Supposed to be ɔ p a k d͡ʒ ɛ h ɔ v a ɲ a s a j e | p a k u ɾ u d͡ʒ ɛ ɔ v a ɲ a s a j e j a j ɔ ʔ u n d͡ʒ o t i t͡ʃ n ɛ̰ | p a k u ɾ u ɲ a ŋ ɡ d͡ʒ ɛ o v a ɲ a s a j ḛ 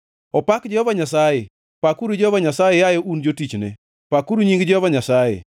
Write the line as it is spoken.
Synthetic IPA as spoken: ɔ p a k d͡ʒ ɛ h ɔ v a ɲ a s a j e | p a k u ɾ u d͡ʒ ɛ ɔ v a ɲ a s a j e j a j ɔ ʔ u n d͡ʒ o t i t͡ʃ n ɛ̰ | p a k u ɾ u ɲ i ŋ ɡ d͡ʒ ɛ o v a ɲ a s a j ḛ